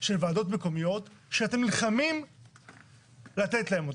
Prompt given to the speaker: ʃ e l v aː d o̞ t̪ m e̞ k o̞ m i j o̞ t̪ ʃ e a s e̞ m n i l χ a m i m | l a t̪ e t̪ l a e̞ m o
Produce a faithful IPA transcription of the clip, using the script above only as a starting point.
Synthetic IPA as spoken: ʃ e l v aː d o̞ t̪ m e̞ k o̞ m i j o̞ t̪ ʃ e a t e̞ m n i l χ a m i m | l a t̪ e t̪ l a e̞ m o